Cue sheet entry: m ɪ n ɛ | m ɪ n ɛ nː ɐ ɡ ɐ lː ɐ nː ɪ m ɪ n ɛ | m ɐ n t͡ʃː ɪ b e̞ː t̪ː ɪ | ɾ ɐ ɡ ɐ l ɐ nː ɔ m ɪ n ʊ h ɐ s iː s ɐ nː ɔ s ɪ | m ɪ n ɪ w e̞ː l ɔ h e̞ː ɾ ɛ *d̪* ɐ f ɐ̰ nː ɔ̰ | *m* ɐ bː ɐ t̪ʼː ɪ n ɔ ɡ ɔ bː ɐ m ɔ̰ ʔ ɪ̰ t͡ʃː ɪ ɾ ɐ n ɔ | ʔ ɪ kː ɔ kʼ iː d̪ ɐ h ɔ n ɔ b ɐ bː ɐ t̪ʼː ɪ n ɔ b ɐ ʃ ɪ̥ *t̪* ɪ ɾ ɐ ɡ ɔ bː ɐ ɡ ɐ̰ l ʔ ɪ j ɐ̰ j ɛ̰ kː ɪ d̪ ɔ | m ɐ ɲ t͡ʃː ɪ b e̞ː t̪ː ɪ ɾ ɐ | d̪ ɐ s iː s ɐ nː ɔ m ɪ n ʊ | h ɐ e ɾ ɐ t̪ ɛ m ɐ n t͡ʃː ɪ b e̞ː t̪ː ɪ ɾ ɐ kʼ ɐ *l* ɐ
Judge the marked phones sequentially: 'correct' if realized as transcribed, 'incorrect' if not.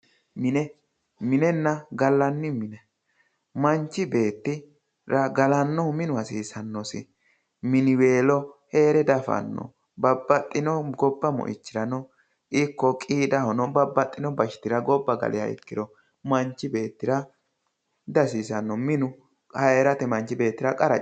correct, incorrect, correct, incorrect

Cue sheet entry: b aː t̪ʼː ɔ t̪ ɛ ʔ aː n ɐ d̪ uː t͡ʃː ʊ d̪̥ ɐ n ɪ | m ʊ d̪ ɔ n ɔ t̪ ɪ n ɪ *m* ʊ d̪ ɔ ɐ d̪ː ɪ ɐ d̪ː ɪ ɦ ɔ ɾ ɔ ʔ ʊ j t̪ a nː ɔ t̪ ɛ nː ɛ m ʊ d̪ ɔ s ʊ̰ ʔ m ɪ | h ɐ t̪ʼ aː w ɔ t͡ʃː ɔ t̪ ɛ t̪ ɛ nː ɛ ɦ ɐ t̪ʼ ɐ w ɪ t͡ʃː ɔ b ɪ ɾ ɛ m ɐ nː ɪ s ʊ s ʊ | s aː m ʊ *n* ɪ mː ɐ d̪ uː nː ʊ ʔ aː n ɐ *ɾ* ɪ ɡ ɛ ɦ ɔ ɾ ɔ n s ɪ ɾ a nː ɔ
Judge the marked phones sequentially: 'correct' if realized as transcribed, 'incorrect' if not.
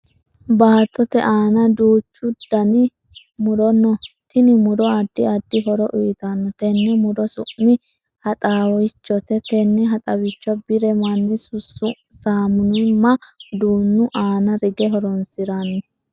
correct, correct, correct

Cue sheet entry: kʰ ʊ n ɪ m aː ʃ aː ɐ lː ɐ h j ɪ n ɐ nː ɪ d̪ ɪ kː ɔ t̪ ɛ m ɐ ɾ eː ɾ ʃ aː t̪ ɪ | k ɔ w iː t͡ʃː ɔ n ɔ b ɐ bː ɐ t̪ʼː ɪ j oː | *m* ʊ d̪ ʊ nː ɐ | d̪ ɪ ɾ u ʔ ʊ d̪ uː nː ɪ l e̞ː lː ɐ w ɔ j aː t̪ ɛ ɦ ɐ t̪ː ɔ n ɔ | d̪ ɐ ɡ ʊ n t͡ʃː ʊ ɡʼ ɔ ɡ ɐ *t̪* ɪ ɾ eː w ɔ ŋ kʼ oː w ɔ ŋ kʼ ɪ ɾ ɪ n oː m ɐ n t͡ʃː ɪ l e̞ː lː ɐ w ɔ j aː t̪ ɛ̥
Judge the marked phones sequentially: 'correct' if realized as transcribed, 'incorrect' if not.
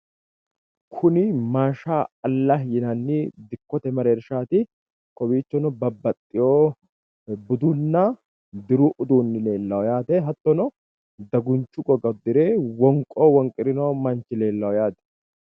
incorrect, incorrect

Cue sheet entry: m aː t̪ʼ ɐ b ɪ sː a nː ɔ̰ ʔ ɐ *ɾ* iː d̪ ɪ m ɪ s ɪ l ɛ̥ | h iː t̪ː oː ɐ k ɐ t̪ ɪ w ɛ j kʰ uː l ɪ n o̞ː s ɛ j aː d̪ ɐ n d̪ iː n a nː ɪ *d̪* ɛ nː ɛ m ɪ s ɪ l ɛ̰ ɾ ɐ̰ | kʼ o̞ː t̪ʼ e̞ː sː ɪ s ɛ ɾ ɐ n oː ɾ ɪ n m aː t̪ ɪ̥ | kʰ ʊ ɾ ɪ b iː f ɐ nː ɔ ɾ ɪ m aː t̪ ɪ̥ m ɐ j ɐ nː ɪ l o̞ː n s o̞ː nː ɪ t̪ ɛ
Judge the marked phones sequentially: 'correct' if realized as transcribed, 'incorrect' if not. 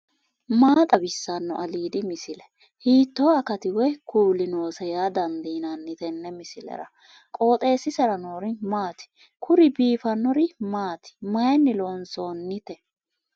incorrect, incorrect

